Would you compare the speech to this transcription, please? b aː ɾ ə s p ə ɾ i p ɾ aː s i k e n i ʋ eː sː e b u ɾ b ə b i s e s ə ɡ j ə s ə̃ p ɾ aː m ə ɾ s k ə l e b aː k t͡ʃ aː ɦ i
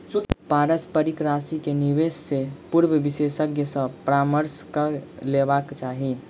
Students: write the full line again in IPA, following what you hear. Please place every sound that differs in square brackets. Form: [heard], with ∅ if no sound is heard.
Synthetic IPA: [p] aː ɾ ə s p ə ɾ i [k] ɾ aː s i k e n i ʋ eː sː e [p] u ɾ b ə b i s e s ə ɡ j ə s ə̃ p ɾ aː m ə ɾ s k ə l e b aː k t͡ʃ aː ɦ i

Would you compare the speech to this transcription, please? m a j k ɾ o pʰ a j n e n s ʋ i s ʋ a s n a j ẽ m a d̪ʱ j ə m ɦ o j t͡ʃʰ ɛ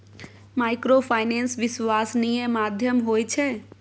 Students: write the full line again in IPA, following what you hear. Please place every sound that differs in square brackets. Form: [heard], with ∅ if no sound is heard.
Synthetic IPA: m a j k ɾ o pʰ a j n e n s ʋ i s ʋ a s n [i] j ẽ m a d̪ʱ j ə m ɦ o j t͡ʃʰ ɛ

